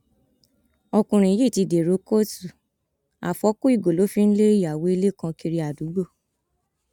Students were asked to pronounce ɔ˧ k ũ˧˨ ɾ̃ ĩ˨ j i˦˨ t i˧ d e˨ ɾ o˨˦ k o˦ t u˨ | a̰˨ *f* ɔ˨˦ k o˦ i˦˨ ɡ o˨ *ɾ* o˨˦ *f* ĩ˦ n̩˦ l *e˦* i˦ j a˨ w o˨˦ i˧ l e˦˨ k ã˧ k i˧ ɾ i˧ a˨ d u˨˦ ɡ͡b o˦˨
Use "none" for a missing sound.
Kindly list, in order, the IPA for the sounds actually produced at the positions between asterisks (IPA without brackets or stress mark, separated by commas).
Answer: f, l, f, e˦